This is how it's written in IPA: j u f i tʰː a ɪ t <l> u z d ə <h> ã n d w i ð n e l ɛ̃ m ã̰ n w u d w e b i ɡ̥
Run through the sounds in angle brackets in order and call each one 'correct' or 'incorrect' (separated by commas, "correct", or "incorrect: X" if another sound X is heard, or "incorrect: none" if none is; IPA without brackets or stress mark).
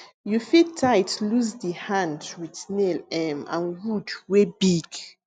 correct, correct